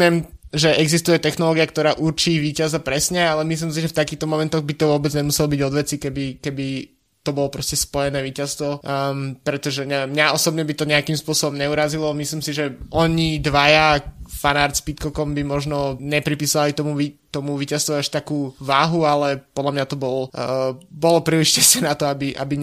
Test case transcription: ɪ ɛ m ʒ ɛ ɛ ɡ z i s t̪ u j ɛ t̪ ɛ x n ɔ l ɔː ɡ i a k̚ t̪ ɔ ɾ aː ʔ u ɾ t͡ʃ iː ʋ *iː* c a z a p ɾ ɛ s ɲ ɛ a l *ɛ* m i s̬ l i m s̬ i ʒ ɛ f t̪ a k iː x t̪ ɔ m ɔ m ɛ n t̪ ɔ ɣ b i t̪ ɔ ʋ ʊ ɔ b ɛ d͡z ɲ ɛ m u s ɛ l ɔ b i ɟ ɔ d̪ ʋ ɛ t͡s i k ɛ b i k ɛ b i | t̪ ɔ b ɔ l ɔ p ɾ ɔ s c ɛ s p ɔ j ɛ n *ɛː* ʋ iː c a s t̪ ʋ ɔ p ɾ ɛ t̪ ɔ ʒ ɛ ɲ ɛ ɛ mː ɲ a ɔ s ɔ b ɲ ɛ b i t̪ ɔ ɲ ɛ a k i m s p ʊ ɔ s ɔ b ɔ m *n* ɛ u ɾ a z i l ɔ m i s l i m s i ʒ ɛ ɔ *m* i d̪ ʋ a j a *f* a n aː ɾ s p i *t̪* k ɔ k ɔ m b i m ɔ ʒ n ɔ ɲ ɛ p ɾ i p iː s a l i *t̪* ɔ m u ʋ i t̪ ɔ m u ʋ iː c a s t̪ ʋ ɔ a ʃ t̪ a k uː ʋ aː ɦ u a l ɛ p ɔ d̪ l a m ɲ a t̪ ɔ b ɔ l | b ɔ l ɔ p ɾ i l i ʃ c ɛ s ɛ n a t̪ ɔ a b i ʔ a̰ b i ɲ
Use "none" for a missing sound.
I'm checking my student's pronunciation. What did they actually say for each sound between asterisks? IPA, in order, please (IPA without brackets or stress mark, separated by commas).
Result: iː, ɛ, ɛː, ɲ, ɲ, f, t̪, t̪